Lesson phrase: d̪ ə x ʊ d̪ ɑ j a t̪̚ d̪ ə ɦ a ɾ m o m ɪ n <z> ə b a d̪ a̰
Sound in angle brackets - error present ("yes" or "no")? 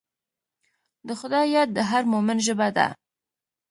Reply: yes